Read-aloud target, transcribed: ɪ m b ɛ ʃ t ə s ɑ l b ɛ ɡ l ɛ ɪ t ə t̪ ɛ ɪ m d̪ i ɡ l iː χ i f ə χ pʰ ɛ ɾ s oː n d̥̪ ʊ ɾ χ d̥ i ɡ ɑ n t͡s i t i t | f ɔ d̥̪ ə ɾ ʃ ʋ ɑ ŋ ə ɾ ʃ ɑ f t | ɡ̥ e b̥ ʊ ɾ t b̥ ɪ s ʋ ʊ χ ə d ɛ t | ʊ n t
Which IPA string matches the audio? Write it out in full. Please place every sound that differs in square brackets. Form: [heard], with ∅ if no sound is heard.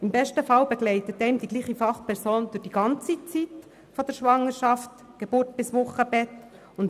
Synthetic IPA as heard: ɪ m b ɛ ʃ t ə [f] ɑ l b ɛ ɡ l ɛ ɪ t ə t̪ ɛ ɪ m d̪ i ɡ l iː χ i f [ɑ] χ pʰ ɛ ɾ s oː n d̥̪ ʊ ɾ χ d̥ i ɡ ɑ n t͡s i [t͡s] i t | f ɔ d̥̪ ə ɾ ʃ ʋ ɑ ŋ ə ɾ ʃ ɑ f t | ɡ̥ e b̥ ʊ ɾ t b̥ ɪ s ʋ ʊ χ ə [b] ɛ t | ʊ n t